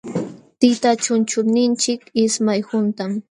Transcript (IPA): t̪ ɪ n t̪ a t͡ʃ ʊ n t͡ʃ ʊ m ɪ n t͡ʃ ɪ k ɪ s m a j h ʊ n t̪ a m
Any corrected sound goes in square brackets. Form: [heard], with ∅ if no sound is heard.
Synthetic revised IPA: t̪ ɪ [∅] t̪ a t͡ʃ ʊ n t͡ʃ ʊ [n] ɪ n t͡ʃ ɪ k ɪ s m a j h ʊ n t̪ a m

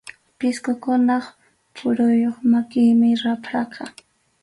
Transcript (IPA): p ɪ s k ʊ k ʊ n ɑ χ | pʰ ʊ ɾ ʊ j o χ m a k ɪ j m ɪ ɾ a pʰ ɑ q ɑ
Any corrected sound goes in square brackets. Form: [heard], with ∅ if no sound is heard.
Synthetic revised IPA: p ɪ s k ʊ k ʊ n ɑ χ | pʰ ʊ ɾ ʊ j o χ m a k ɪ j m ɪ ɾ a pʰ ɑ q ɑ

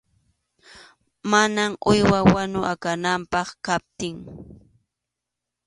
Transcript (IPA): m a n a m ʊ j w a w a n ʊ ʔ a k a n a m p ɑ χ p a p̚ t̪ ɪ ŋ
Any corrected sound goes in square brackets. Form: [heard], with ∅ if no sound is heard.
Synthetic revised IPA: m a n a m ʊ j w a w a n ʊ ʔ a k a n a m p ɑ χ [k] a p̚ t̪ ɪ ŋ

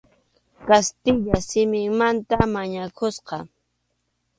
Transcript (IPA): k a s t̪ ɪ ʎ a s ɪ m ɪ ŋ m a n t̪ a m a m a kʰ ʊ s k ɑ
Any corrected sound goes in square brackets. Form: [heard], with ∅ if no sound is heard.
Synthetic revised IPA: k a s t̪ ɪ ʎ a s ɪ m ɪ ŋ m a n t̪ a m a [ɲ] a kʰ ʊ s [q] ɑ

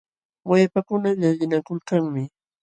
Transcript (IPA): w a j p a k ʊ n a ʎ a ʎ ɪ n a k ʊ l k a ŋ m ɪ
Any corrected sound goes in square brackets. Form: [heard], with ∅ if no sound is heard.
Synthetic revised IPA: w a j p a k ʊ n a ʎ a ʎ ɪ n a k ʊ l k a ŋ m ɪ

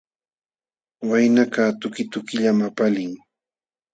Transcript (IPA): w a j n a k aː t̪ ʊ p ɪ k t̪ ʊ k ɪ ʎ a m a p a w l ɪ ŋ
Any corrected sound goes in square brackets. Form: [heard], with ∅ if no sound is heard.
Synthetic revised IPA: w a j n a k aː t̪ ʊ [k] ɪ [∅] t̪ ʊ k ɪ ʎ a m a p a [∅] l ɪ ŋ

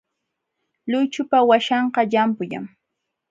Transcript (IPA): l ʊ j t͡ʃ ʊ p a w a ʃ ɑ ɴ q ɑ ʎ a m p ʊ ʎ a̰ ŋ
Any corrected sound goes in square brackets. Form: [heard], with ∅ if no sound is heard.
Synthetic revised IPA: l ʊ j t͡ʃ ʊ p a w a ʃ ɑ ɴ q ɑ ʎ a m p ʊ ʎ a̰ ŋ

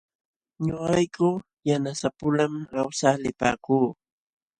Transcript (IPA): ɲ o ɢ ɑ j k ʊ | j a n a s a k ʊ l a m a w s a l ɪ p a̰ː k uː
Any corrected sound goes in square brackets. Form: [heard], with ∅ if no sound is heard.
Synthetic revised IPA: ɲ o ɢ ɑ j k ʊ | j a n a s a [p] ʊ l a m a w s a l ɪ p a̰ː k uː

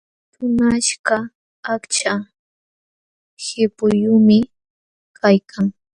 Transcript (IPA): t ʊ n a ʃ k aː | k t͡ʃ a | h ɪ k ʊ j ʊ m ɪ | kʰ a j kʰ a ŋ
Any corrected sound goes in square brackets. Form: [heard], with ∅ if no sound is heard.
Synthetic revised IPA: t ʊ n a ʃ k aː | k t͡ʃ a | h ɪ [p] ʊ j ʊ m ɪ | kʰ a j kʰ a ŋ

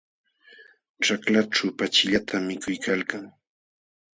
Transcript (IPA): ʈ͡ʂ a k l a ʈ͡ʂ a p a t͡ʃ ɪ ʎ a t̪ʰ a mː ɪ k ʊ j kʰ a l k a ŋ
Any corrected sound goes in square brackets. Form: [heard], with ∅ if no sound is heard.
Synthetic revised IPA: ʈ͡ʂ a k l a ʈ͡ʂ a p a t͡ʃ ɪ ʎ a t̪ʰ a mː ɪ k ʊ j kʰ a l k a ŋ

